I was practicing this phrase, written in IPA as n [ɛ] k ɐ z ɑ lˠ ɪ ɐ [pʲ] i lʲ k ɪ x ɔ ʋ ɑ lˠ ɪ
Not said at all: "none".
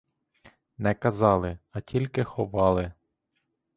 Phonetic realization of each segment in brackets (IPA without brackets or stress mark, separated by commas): ɛ, tʲ